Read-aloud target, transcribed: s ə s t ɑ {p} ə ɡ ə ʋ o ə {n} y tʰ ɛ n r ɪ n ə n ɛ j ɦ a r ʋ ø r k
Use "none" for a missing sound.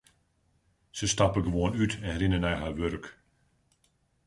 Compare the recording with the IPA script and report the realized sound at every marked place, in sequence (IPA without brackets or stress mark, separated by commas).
p, n